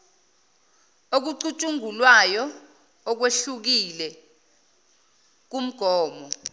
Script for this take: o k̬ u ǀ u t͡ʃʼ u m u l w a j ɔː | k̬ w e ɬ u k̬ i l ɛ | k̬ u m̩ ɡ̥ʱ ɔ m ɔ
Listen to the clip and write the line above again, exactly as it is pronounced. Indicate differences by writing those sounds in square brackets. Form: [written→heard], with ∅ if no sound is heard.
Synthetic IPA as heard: o k̬ u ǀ u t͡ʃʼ u [m→ŋ] u l w a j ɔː | k̬ w e ɬ u k̬ i l ɛ | k̬ u m̩ ɡ̥ʱ [ɔ→ɔː] m ɔ